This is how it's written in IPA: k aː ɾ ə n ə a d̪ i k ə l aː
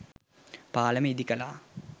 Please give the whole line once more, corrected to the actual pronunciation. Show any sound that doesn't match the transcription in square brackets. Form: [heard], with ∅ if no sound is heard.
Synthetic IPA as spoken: [p] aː [l] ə [m] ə [i] d̪ i k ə l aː